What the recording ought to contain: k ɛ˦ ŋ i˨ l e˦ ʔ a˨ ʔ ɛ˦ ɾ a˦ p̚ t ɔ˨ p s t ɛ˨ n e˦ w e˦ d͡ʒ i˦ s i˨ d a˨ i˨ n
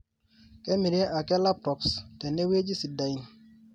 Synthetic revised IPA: k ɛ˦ m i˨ ɾ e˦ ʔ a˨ k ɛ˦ l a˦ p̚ t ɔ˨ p s t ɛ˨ n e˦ w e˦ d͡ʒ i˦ s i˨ d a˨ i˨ n